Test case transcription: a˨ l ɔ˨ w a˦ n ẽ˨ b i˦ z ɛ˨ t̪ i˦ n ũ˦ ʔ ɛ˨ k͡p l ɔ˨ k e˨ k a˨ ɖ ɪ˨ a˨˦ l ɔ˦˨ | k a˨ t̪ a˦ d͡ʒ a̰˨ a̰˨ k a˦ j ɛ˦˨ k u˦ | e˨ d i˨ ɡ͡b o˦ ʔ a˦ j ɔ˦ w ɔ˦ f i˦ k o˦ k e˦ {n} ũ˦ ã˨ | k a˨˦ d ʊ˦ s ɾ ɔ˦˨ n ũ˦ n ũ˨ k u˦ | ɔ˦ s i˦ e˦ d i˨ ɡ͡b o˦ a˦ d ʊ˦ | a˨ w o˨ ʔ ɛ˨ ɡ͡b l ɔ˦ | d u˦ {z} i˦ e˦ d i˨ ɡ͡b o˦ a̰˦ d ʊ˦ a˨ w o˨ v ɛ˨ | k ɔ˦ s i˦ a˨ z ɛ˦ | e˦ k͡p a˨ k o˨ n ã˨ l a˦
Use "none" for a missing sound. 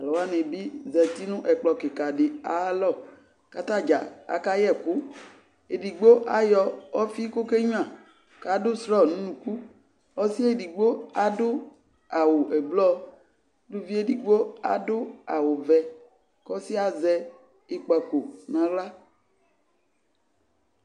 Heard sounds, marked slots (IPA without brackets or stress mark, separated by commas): ɲ, v